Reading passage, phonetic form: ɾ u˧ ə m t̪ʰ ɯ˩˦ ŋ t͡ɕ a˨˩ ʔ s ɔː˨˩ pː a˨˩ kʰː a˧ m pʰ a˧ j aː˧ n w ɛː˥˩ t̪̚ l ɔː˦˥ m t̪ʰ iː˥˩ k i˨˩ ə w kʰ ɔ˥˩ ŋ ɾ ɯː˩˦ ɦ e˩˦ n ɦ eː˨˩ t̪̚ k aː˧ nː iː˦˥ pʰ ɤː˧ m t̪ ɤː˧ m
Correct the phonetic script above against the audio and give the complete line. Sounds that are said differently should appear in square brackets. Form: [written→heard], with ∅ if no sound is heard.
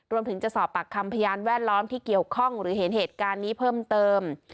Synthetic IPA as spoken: ɾ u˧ ə m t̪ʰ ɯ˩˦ ŋ t͡ɕ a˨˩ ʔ s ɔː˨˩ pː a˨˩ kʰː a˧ m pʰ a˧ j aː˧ n w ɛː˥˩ t̪̚ l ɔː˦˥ m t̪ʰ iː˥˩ k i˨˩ ə w kʰ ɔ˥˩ ŋ ɾ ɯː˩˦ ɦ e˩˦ n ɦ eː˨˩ t̪̚ k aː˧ nː iː˦˥ pʰ [ɤː˧→ɤː˥˩] m t̪ ɤː˧ m